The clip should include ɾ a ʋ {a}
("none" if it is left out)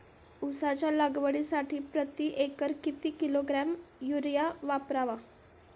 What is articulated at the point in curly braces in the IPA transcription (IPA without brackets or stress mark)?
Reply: a